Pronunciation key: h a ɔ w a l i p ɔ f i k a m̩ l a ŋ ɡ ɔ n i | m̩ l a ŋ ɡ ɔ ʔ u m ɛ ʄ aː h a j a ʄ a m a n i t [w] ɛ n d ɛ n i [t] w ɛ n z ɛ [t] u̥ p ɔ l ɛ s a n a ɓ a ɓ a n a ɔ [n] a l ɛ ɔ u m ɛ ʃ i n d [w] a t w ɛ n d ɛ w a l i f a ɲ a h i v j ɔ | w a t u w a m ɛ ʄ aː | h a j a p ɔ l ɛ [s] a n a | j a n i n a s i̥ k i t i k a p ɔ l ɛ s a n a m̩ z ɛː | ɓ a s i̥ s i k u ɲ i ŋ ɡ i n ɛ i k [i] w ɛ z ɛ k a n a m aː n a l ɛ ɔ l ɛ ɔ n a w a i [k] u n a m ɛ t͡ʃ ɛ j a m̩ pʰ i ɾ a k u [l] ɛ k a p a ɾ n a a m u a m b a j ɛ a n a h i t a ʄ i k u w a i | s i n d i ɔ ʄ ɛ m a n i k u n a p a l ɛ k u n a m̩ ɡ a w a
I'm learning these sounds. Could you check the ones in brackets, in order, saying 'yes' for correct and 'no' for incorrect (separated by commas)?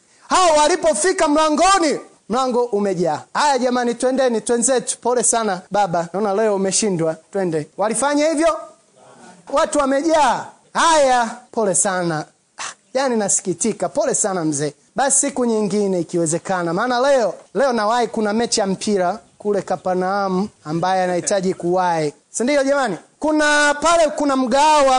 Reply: yes, yes, yes, yes, yes, yes, yes, yes, yes